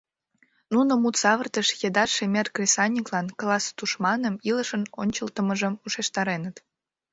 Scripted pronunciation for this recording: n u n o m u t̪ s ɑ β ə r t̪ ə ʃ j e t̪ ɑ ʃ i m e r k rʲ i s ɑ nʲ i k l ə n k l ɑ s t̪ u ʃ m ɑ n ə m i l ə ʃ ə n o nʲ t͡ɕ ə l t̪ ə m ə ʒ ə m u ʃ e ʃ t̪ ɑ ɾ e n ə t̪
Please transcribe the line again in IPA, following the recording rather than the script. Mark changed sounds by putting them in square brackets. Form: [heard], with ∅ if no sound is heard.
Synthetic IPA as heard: n u n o m u t̪ s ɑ β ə r t̪ ə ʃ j e [d̪] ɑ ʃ [e] m e r k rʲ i s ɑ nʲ i k l [ɑ] n k l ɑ s t̪ u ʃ m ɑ n ə m i l ə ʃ ə n o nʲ t͡ɕ ə l t̪ ə m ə ʒ ə m u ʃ e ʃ t̪ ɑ ɾ e n ə t̪

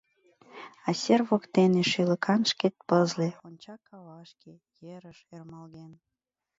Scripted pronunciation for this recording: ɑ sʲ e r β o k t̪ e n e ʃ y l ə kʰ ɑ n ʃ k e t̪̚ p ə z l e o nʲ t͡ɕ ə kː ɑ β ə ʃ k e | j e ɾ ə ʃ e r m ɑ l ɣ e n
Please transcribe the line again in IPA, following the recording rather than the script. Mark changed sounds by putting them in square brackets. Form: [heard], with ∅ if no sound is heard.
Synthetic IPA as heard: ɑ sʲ e r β o k t̪ e n e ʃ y l ə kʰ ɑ n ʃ k e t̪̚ p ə z l e o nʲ t͡ɕ [ɑ] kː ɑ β [ɑ] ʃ k e | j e ɾ ə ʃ e r m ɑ l ɣ e n

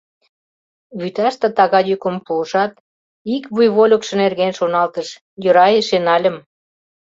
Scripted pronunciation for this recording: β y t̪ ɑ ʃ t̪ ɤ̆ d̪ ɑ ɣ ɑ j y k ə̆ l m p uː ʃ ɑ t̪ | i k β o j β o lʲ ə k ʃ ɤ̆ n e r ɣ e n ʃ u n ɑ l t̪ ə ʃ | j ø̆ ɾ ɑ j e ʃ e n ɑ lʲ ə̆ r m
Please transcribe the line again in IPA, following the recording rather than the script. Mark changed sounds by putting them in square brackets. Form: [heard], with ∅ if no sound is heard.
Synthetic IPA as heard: β y t̪ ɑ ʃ t̪ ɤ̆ [t̪] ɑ ɣ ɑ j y k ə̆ [∅] m p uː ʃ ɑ t̪ | i k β [u] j β o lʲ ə k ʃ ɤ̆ n e r ɣ e n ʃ [o] n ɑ l t̪ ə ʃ | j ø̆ ɾ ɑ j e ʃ e n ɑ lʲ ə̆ [∅] m

